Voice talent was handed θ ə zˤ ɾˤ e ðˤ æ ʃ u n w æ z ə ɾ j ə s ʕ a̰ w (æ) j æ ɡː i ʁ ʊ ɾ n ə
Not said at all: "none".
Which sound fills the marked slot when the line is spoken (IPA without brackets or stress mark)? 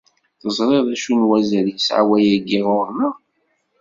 æ